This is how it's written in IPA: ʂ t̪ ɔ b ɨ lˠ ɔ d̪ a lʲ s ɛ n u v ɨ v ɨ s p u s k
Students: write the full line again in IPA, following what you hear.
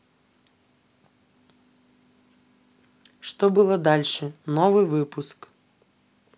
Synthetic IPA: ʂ t̪ ɔ b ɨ lˠ ɔ d̪ a lʲ ʂ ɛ n ɔ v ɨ v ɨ p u s k

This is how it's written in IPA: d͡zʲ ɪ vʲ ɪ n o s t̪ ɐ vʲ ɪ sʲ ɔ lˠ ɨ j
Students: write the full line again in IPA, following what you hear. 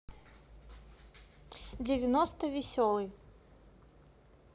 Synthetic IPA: d͡zʲ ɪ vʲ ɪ n ɔ s t̪ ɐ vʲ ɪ sʲ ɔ lˠ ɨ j

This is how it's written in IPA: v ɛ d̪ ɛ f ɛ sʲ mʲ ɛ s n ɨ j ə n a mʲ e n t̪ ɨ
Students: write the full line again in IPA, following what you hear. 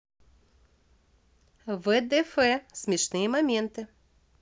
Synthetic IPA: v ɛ d̪ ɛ f ɛ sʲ mʲ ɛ ʂ n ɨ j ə m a mʲ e n t̪ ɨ

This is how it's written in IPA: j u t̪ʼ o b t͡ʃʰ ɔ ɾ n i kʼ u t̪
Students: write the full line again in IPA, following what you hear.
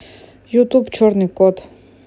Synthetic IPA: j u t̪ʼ u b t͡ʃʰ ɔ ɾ n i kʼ ɔ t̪

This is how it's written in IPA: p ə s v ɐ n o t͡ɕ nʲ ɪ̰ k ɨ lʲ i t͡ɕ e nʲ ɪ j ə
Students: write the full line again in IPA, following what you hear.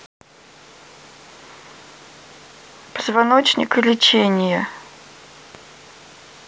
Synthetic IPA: p ə z v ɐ n o t͡ɕ nʲ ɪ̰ k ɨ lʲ ɪ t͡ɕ e nʲ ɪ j ə

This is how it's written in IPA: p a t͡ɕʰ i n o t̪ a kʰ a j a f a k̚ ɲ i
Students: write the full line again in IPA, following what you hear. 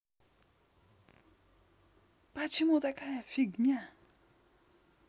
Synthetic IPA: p a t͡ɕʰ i m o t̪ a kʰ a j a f i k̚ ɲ a

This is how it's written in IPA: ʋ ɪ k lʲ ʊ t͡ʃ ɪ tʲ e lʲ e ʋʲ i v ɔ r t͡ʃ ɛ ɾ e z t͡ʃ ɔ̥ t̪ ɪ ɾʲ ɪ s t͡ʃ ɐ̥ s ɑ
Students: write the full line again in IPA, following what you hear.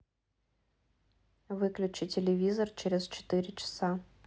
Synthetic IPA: ʋ ɪ k lʲ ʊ t͡ʃ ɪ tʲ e lʲ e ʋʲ i z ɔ r t͡ʃ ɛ ɾ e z t͡ʃ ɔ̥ t̪ ɪ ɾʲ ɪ t͡ʃ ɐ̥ s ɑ

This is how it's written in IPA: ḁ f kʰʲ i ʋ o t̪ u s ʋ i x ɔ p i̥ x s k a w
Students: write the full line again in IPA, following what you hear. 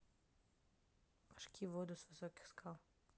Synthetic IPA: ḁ ʃ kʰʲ i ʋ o d̪ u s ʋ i s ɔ k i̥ x s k a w

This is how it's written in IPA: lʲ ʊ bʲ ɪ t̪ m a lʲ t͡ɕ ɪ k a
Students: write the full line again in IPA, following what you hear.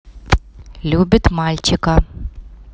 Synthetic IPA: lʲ u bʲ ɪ t̪ m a lʲ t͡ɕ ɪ k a

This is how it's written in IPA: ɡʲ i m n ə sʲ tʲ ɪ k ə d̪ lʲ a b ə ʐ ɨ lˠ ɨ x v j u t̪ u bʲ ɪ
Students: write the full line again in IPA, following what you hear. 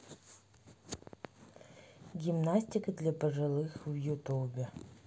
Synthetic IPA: ɡʲ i m n a sʲ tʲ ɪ k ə d̪ lʲ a p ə ʐ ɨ lˠ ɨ x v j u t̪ u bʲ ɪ

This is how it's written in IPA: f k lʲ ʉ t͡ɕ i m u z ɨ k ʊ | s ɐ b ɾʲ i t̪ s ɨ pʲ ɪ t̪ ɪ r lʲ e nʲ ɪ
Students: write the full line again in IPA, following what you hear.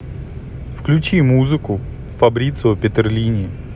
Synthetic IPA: f k lʲ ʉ t͡ɕ i m u z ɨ k ʊ | f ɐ b ɾʲ i t̪ s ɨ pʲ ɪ t̪ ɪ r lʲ i nʲ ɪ

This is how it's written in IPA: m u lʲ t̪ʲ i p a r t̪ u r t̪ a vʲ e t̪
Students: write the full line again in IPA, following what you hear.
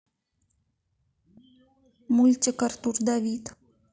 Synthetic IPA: m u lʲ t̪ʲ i k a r t̪ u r d̪ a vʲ i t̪

